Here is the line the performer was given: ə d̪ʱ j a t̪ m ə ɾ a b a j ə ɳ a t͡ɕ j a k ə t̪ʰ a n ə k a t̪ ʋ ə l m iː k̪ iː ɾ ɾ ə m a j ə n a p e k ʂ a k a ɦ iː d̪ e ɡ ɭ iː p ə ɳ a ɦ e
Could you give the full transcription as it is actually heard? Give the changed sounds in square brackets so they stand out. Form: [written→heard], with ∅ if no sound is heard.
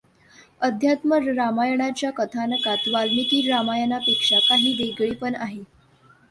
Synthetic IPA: ə d̪ʱ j a t̪ m ə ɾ a [b→m] a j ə ɳ a t͡ɕ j a k ə t̪ʰ a n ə k a t̪ ʋ [ə→a] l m [iː→i] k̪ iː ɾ ɾ [ə→a] m a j ə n a p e k ʂ a k a ɦ iː d̪ e ɡ ɭ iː p ə ɳ a ɦ e